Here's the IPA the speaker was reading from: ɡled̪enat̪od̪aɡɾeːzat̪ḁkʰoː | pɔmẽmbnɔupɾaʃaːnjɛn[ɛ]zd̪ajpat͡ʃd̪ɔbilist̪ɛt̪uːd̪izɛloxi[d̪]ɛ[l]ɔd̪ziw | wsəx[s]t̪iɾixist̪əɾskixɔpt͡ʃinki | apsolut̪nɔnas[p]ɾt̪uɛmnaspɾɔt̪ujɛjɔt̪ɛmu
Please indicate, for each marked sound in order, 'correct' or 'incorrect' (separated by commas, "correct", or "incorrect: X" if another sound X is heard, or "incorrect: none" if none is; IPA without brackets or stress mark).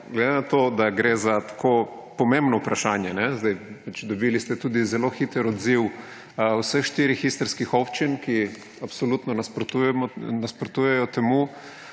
correct, incorrect: t̪, incorrect: ɾ, incorrect: ʃ, correct